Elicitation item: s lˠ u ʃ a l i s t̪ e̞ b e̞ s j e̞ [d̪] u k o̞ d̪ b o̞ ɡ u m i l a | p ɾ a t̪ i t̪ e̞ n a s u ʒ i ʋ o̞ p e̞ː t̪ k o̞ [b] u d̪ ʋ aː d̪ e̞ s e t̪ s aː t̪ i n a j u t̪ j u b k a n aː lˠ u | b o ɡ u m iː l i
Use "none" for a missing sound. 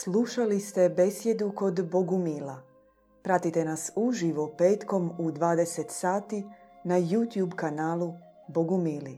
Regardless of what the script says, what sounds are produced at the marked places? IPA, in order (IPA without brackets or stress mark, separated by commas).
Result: d̪, m